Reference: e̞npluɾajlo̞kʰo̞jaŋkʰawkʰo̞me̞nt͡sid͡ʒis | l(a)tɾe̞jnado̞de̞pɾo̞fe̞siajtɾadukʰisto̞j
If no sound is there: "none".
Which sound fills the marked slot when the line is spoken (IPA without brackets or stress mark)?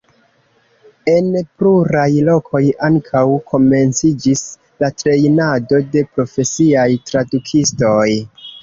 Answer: a